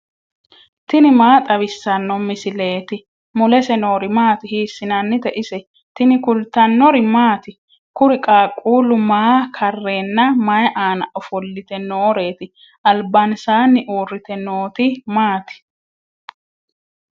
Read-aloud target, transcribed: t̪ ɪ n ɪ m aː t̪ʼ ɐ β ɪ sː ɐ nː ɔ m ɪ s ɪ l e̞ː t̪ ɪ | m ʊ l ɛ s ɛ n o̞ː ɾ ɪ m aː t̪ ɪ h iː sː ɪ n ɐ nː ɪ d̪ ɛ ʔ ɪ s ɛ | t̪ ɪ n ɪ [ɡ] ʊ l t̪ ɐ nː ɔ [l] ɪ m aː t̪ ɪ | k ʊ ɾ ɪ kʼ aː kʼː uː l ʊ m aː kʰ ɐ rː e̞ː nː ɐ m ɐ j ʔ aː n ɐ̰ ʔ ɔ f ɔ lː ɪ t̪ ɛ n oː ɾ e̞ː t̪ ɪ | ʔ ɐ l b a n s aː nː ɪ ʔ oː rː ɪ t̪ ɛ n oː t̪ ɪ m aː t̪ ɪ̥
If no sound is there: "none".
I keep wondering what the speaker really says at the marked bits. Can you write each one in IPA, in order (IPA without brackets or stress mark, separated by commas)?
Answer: k, ɾ